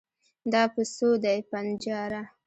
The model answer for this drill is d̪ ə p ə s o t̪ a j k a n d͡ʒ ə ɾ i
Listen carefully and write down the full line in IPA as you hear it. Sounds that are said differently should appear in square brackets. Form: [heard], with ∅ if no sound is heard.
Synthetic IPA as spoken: d̪ [ɑ] p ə s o [d̪] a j [p] a n d͡ʒ [ɑ] ɾ [a]